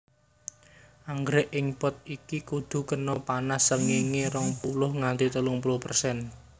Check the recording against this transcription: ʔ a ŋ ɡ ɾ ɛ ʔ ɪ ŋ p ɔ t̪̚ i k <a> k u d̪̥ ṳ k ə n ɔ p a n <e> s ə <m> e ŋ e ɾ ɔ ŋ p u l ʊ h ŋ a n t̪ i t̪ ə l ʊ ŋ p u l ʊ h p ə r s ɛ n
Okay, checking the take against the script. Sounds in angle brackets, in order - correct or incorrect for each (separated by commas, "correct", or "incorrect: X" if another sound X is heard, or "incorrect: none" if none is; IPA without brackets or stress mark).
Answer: incorrect: i, incorrect: a, incorrect: ŋ